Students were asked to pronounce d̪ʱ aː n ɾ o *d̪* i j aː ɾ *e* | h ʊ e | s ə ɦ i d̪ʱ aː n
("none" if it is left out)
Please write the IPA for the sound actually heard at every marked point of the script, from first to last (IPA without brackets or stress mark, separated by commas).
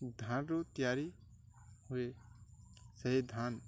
t̪, i